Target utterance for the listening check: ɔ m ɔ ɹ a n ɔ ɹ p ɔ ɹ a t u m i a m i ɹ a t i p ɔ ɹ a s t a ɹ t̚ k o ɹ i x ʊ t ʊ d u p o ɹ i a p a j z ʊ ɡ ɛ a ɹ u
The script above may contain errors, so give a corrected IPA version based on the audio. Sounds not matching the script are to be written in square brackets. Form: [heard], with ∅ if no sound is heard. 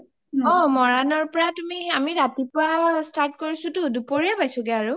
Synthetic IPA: ɔ m ɔ ɹ a n ɔ ɹ p ɔ ɹ a t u m i a m i ɹ a t i p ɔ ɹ a s t a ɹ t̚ k o ɹ i [s] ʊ t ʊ d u p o ɹ i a p a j [s] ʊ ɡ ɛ a ɹ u